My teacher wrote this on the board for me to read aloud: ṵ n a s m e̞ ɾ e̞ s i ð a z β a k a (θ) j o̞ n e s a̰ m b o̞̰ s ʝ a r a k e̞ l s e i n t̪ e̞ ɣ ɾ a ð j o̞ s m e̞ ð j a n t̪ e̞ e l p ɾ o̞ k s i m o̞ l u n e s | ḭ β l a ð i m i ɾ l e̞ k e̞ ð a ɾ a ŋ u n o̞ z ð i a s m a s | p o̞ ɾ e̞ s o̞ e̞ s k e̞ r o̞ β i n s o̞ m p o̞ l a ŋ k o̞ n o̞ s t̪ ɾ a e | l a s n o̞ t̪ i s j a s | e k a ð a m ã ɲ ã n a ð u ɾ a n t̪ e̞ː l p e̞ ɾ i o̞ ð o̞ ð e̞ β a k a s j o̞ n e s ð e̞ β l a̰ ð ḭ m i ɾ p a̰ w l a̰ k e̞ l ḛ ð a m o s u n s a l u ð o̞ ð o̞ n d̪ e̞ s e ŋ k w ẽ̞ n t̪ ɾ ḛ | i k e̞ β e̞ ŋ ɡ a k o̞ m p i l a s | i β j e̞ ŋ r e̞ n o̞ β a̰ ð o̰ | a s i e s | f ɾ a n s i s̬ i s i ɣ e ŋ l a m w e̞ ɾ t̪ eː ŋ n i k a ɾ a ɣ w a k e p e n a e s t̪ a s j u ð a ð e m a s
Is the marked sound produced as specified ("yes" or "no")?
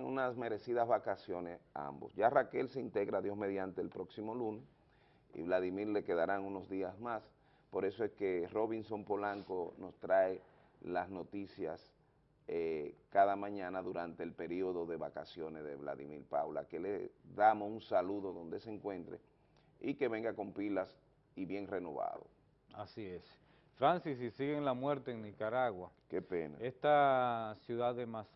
no